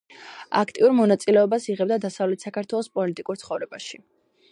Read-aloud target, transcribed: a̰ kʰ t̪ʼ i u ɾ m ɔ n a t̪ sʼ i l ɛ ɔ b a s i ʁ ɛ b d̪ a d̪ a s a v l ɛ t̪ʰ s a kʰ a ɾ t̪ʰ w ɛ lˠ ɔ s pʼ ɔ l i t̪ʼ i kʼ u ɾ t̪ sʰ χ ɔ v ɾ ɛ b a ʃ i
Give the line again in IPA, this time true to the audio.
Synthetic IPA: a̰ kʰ t̪ʼ i u ɾ m ɔ n a t̪ sʼ i l ɛ ɔ b a s i ʁ ɛ b d̪ a d̪ a s a v l ɛ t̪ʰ s a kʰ a ɾ t̪ʰ w ɛ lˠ ɔ s pʼ ɔ l i t̪ʼ i kʼ u ɾ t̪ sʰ χ ɔ v ɾ ɛ b a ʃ i